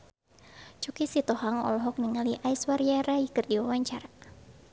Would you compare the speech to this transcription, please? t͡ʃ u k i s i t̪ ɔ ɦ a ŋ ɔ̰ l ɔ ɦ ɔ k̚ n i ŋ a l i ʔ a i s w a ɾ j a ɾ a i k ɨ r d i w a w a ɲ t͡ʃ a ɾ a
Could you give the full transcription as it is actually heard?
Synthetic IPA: t͡ʃ u k i s i t̪ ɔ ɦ a ŋ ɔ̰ l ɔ ɦ ɔ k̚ n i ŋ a l i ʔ a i s w a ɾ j a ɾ a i k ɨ r d i w a w a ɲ t͡ʃ a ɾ a